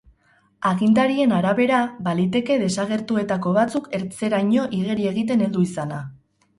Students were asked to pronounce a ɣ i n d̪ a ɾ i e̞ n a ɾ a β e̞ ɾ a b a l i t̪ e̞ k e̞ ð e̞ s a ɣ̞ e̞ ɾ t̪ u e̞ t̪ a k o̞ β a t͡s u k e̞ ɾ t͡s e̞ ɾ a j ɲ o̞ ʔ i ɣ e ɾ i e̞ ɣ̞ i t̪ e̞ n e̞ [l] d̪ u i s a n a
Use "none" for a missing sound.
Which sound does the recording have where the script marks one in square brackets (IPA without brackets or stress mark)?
l